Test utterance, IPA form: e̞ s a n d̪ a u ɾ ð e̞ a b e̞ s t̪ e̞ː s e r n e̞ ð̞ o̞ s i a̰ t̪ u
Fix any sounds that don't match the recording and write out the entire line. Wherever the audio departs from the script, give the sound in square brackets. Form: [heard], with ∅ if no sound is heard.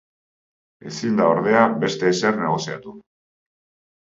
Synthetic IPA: e̞ s [i] n d̪ a [o] ɾ ð e̞ a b e̞ s t̪ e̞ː s e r n e̞ [ɣ̞] o̞ s i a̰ t̪ u